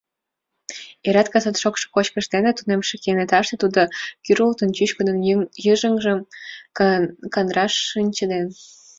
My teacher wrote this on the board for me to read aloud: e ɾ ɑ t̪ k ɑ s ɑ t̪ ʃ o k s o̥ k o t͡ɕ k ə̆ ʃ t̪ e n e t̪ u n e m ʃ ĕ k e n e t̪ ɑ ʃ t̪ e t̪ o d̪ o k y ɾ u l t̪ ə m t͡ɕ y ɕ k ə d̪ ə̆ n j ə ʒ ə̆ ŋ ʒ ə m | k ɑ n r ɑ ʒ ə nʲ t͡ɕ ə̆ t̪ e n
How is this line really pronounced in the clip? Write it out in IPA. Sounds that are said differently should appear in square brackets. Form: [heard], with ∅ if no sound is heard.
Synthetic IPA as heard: e ɾ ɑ t̪ k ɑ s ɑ t̪ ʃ o k [ʃ] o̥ k o t͡ɕ k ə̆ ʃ t̪ e n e t̪ u n e m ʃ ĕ k e n e t̪ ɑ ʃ t̪ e t̪ [u] d̪ o k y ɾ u l t̪ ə [n] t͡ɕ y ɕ k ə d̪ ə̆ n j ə ʒ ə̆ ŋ ʒ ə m | k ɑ n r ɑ [ʃ] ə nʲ t͡ɕ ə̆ [d̪] e n

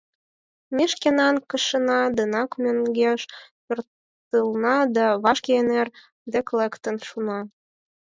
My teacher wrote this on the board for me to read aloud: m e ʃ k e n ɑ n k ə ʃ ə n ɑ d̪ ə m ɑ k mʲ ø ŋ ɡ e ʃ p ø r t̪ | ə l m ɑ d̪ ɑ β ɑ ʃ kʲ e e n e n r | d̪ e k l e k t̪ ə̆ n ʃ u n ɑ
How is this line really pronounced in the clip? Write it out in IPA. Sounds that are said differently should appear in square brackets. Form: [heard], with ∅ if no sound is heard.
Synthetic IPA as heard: m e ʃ k e n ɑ n k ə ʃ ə n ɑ d̪ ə [n] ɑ k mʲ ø ŋ ɡ e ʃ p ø r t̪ | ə l [n] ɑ d̪ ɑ β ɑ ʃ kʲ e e n e [∅] r | d̪ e k l e k t̪ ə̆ n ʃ u n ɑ

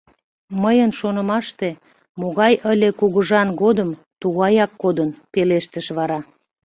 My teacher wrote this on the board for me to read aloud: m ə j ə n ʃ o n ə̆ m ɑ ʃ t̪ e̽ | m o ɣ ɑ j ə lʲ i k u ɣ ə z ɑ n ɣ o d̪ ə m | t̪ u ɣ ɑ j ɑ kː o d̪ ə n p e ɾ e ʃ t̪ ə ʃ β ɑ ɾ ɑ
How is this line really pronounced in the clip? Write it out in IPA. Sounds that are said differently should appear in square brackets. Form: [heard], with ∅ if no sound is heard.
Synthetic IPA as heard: m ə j ə n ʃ o n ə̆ m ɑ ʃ t̪ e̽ | m o ɣ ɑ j ə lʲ [e] k u ɣ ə [ʒ] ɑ n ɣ o d̪ ə m | t̪ u ɣ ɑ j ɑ kː o d̪ ə n p e [l] e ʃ t̪ ə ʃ β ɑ ɾ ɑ

